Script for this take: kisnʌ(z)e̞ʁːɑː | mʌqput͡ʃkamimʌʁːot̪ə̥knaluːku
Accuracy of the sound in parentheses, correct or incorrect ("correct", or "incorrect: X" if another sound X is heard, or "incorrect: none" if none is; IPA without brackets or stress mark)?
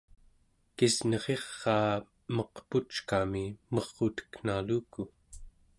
incorrect: ʁ